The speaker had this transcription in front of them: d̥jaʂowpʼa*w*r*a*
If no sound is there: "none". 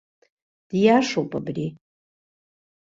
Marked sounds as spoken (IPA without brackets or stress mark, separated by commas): b, i